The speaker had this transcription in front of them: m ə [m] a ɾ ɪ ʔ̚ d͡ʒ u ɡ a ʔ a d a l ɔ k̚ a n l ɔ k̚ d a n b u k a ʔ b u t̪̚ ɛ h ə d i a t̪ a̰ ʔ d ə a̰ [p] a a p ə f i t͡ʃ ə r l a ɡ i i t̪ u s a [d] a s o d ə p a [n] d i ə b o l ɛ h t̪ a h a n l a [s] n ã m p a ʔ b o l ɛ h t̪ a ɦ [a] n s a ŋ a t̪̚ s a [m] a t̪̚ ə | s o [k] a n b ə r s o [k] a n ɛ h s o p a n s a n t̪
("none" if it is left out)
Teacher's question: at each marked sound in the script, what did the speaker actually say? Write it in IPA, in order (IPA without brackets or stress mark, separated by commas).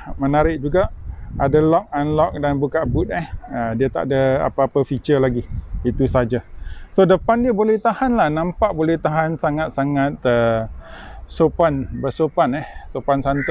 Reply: n, p, d͡ʒ, n, h, a, ŋ, p, p